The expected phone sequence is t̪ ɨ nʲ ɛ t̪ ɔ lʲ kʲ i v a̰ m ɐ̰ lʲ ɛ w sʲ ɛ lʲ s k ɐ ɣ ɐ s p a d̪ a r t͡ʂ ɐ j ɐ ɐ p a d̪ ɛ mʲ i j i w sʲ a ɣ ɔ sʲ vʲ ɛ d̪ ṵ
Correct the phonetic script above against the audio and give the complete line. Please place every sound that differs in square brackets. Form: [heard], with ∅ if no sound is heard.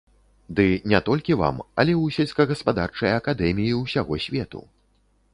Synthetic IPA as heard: [d̪] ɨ nʲ ɛ t̪ ɔ lʲ kʲ i v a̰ m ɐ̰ lʲ ɛ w sʲ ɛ lʲ s k ɐ ɣ ɐ s p a d̪ a r t͡ʂ ɐ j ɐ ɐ [k] a d̪ ɛ mʲ i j i w sʲ a ɣ ɔ sʲ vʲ ɛ [t̪] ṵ